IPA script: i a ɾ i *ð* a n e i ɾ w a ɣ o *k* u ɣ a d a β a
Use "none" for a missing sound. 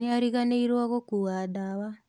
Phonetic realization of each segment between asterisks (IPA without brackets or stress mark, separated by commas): ɣ, k